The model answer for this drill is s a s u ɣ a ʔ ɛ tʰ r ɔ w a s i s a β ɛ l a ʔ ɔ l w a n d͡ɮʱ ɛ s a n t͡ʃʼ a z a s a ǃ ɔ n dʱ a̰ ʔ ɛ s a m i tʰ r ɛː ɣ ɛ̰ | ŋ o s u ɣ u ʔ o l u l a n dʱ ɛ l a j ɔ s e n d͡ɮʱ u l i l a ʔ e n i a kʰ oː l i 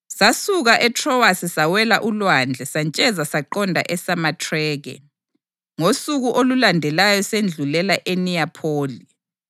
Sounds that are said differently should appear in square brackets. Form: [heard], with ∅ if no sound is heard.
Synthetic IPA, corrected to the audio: s a s u ɣ a ʔ ɛ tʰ r ɔ w a s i s a [w] ɛ l a ʔ [u] l w a n d͡ɮʱ ɛ s a n t͡ʃʼ [ɛ] z a s a ǃ ɔ n dʱ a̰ ʔ ɛ s a m [a] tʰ r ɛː ɣ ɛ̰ | ŋ o s u ɣ u ʔ o l u l a n dʱ ɛ l a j ɔ s e n d͡ɮʱ u l [ɛ] l a ʔ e n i a [pʰ] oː l i